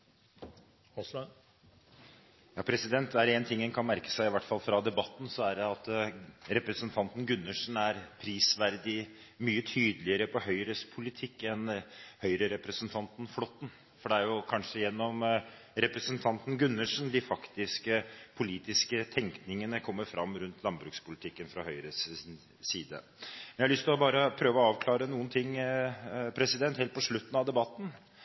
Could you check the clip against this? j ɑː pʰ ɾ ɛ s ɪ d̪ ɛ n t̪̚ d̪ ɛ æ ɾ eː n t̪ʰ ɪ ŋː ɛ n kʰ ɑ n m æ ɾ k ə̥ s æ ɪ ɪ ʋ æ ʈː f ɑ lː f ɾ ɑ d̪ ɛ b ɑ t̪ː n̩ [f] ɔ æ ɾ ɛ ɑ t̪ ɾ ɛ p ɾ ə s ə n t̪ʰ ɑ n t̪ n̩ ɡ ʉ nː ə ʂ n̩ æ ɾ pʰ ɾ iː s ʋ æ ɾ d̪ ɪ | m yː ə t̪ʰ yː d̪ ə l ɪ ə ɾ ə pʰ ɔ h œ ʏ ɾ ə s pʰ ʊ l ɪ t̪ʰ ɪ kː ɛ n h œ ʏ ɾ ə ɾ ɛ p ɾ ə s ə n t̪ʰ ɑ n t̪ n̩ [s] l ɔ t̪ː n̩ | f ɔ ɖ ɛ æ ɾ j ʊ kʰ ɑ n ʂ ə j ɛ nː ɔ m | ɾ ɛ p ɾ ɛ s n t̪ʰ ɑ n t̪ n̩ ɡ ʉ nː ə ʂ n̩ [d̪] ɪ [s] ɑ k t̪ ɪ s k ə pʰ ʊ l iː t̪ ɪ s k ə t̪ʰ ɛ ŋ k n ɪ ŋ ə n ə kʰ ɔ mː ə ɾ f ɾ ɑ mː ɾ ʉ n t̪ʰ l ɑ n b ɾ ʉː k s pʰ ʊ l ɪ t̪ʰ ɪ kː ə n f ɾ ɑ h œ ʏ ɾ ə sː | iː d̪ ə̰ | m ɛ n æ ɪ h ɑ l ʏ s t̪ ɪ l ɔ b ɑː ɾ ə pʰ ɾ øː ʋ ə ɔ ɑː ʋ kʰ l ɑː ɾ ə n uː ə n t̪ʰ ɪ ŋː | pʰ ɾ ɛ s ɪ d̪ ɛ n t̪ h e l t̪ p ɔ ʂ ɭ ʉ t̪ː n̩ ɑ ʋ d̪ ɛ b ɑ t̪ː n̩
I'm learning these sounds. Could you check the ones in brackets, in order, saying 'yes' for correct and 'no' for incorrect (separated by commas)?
no, no, yes, no